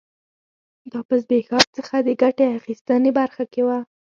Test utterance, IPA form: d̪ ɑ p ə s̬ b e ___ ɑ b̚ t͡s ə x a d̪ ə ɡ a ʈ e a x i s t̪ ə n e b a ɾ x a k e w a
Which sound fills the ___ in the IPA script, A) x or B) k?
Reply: A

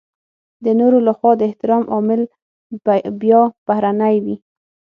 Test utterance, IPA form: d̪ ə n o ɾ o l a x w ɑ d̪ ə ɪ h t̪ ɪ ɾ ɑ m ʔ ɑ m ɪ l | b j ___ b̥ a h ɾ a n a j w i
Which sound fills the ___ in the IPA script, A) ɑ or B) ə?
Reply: A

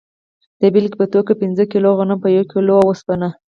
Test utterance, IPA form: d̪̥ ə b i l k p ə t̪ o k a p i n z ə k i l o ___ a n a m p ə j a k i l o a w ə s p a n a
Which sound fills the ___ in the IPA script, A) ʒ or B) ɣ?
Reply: B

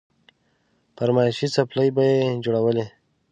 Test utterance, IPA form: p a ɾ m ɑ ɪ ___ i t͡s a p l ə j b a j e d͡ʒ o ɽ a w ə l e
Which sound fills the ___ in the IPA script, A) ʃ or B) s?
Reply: A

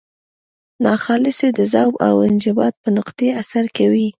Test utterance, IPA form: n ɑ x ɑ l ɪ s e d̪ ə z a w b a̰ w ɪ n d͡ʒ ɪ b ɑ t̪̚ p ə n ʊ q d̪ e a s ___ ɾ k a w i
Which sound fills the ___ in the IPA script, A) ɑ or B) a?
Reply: B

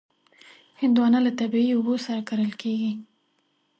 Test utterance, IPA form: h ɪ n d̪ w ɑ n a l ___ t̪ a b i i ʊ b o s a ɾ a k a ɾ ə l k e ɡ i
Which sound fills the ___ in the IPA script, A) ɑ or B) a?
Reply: B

